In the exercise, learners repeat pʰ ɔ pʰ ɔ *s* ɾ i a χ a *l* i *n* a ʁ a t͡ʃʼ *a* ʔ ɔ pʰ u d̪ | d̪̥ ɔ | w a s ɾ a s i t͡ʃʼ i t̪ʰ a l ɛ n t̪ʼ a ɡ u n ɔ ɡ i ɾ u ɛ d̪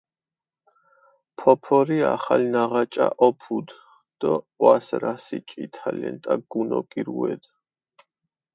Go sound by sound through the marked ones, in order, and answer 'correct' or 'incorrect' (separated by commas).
incorrect, correct, correct, correct